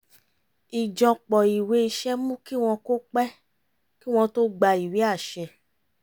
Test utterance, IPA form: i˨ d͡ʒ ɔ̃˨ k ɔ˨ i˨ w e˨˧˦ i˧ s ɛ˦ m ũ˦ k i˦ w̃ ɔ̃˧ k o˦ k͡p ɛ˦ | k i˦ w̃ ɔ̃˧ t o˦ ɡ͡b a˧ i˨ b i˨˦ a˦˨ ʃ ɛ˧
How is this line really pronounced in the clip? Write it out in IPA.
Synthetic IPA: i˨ d͡ʒ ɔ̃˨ k͡p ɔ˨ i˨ w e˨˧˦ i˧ ʃ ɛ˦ m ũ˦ k i˦ w̃ ɔ̃˧ k o˦ k͡p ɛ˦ | k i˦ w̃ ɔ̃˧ t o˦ ɡ͡b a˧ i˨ w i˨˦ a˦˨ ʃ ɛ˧